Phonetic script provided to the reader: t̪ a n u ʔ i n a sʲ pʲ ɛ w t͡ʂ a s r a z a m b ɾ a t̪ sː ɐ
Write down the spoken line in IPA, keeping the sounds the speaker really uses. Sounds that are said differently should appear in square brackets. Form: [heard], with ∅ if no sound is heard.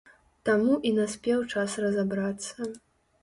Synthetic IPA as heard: t̪ a [m] u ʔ i n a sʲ pʲ ɛ w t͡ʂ a s r [ɐ] z a [∅] b ɾ a t̪ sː ɐ